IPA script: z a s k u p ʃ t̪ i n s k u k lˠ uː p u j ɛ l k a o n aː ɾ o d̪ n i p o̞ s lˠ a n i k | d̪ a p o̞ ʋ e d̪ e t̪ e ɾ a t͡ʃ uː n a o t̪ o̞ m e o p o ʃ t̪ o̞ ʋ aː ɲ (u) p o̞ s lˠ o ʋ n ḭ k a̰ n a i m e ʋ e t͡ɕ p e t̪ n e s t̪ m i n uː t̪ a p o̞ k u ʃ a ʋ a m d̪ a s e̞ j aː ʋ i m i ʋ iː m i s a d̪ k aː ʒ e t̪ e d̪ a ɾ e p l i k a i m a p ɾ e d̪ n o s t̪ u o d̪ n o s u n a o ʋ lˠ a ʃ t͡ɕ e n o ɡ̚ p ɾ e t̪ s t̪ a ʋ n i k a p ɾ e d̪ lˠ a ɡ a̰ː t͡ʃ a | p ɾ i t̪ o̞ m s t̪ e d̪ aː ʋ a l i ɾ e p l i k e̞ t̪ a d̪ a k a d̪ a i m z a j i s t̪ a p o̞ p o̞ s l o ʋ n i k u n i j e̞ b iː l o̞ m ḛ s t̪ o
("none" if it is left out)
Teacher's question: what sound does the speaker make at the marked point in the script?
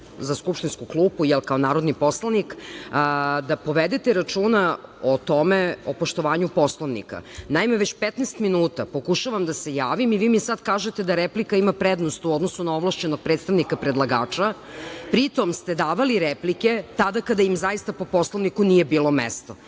u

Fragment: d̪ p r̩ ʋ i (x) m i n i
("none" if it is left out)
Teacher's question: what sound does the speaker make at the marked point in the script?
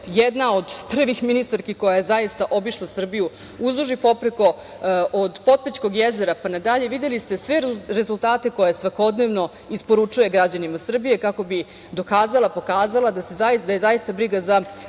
x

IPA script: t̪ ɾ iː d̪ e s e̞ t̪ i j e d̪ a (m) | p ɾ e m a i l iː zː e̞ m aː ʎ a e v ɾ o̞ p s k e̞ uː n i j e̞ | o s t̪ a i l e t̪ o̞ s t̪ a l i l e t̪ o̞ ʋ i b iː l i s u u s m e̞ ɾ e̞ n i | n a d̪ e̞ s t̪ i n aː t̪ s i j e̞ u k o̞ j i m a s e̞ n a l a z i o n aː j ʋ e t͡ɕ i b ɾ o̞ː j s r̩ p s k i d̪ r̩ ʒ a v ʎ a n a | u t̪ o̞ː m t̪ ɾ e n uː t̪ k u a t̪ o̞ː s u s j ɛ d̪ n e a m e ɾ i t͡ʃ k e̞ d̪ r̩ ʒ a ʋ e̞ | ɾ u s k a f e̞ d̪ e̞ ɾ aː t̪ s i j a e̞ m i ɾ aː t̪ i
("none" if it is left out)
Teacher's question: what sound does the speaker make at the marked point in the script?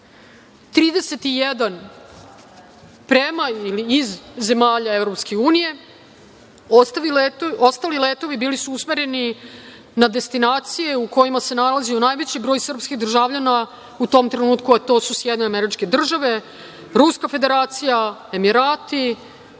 n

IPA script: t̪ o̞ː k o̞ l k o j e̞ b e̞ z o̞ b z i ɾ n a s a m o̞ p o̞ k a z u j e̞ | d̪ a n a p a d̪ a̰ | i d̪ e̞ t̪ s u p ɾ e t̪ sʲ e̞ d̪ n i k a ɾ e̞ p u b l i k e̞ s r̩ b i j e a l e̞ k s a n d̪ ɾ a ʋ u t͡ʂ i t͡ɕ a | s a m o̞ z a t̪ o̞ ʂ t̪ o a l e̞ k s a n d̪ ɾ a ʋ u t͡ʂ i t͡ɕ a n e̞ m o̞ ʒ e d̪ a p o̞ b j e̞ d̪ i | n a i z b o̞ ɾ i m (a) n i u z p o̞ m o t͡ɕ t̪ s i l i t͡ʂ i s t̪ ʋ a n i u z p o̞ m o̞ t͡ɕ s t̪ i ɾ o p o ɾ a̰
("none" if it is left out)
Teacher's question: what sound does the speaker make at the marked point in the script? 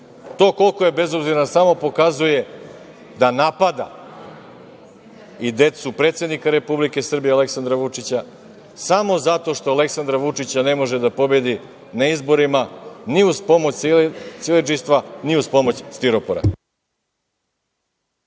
a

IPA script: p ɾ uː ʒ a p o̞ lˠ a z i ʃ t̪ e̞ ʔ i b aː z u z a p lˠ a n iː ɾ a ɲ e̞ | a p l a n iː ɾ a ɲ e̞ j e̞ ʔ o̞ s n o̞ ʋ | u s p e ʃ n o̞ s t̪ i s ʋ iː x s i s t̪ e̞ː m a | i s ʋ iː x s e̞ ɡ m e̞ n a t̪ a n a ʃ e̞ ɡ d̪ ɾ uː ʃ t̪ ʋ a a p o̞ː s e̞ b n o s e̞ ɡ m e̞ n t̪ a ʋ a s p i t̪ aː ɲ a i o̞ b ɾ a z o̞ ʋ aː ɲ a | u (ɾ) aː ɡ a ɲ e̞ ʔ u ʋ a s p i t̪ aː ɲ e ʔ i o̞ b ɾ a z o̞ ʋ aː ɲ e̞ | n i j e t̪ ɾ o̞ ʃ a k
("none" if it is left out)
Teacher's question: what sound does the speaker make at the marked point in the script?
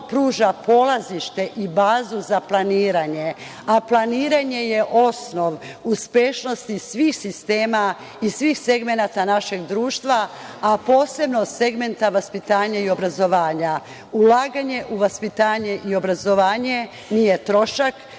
l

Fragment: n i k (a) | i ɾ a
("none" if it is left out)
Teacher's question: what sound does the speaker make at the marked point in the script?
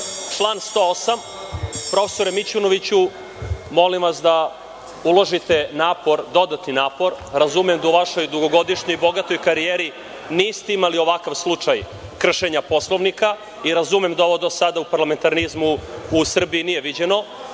a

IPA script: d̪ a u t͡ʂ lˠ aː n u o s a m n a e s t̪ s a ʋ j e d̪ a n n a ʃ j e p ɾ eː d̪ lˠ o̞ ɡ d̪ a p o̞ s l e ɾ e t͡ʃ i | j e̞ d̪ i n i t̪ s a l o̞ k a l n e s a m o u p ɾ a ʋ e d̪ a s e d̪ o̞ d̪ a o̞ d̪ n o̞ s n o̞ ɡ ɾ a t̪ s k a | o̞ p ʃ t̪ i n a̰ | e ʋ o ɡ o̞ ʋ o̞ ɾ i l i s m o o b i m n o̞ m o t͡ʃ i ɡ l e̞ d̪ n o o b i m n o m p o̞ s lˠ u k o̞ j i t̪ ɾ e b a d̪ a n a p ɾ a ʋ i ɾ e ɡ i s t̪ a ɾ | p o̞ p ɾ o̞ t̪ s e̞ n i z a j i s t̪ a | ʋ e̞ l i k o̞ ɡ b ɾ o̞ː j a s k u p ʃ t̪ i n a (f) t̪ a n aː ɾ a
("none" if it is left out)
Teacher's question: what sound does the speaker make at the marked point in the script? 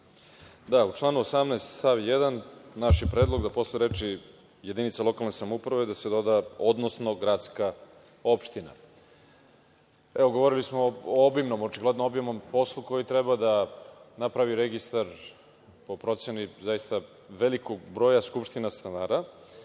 s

